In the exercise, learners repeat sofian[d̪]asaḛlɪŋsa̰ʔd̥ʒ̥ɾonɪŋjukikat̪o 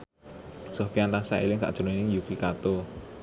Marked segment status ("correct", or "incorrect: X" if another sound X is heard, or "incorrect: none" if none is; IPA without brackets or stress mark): incorrect: t̪